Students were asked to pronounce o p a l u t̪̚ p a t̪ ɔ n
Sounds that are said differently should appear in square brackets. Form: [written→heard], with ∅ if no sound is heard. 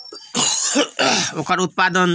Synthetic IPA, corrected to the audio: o [p→k] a [l→ɾ] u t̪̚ p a [t̪→d̪] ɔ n

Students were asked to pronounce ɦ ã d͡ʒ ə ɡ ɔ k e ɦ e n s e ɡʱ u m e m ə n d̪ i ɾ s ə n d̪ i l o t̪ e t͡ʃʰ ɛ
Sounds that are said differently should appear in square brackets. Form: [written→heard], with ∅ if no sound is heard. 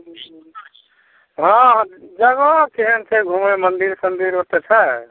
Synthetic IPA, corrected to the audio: ɦ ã d͡ʒ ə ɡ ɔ k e ɦ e n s e ɡʱ u m e m ə n d̪ i ɾ s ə n d̪ i [l→ɾ] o t̪ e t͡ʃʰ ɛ

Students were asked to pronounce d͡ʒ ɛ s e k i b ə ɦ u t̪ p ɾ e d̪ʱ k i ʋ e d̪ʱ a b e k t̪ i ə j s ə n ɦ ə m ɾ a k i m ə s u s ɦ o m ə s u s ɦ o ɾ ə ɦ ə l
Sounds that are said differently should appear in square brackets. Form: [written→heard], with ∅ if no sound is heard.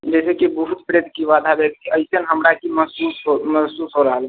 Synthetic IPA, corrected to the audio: d͡ʒ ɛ s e k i b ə ɦ u t̪ p ɾ e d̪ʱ k i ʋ [e→a] d̪ʱ a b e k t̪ i ə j s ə n ɦ ə m ɾ a k i m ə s u s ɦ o m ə s u s ɦ o ɾ ə ɦ ə l

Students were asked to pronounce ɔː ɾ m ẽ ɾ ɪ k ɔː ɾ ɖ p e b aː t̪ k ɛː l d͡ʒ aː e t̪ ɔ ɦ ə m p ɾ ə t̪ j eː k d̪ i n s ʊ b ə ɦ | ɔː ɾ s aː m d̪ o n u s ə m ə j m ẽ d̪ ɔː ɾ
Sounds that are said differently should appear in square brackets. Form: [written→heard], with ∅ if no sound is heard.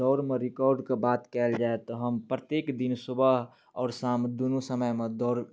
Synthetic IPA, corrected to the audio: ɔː ɾ m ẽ ɾ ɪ k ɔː ɾ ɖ [p→k] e b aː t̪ k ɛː l d͡ʒ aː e t̪ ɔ ɦ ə m p ɾ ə t̪ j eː k d̪ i n s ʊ b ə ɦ | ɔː ɾ s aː m d̪ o n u s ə m ə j m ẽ d̪ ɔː ɾ

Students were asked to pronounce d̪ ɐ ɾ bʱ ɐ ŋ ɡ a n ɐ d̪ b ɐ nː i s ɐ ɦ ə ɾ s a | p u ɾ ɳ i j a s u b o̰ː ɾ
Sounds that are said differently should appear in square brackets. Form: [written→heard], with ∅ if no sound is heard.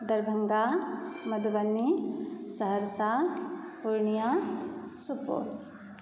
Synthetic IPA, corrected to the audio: d̪ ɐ ɾ bʱ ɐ ŋ ɡ a [n→m] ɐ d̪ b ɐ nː i s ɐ ɦ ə ɾ s a | p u ɾ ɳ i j a s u [b→p] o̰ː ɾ

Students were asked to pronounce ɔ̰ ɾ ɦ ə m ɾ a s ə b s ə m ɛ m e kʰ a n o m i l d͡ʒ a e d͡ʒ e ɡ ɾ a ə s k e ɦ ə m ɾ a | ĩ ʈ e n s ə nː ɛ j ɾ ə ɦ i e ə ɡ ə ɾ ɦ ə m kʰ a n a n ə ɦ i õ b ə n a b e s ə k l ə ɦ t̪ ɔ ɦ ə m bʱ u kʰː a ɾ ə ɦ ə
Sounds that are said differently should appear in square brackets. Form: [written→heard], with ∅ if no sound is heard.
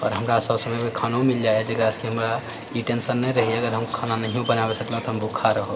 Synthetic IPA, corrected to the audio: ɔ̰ ɾ ɦ ə m ɾ a s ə b s ə m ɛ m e kʰ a n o m i l d͡ʒ a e d͡ʒ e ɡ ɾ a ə s k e ɦ ə m ɾ a | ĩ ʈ e n s ə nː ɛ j ɾ ə ɦ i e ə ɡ ə ɾ ɦ ə m kʰ a n a n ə ɦ i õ b ə n a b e s ə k l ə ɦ t̪ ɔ ɦ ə m bʱ u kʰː a ɾ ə ɦ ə

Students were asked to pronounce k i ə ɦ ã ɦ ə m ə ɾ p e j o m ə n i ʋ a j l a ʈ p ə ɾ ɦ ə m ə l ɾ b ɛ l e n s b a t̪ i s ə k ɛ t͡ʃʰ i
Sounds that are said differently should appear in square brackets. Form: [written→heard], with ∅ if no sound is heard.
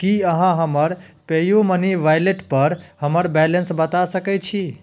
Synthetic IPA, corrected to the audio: k i ə ɦ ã ɦ ə m ə ɾ p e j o m ə n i ʋ a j l [a→e] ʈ p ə ɾ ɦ ə m ə [l→∅] ɾ b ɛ l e n s b [a→ə] t̪ [i→a] s ə k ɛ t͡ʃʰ i

